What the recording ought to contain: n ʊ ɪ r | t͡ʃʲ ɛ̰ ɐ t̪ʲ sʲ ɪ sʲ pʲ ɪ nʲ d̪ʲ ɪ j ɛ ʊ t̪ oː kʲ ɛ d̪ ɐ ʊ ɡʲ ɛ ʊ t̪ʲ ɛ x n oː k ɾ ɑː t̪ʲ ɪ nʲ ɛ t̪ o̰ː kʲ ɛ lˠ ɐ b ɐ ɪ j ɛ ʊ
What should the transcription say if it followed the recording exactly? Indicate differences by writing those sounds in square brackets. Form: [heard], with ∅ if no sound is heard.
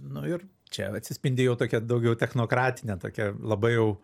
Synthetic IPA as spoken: n ʊ ɪ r | t͡ʃʲ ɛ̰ ɐ t̪ʲ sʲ ɪ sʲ pʲ ɪ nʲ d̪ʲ ɪ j ɛ ʊ t̪ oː kʲ ɛ d̪ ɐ ʊ ɡʲ ɛ ʊ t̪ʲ ɛ x n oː k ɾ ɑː t̪ʲ ɪ nʲ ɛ t̪ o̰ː kʲ ɛ lˠ ɐ b ɐ ɪ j ɛ ʊ